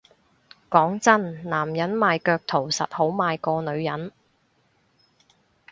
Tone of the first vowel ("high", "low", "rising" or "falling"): rising